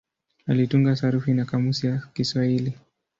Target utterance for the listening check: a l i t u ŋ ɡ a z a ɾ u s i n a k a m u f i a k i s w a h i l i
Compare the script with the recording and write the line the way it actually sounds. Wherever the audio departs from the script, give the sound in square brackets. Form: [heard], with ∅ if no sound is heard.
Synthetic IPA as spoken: a l i t u ŋ ɡ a [s] a ɾ u [f] i n a k a m u [s] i a k i s w a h i l i